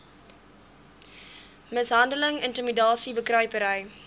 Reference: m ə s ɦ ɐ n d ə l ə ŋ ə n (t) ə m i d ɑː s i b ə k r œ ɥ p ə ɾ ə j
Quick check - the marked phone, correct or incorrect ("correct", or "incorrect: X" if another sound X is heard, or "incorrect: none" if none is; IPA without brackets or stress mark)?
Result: correct